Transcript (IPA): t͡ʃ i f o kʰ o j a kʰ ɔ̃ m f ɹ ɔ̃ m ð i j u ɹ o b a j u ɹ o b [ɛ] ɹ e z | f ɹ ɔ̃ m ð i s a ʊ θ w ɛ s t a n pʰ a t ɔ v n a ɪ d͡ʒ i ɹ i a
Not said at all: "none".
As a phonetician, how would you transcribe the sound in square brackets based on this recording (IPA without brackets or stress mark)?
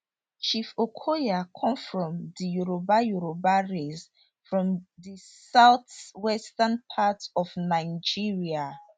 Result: a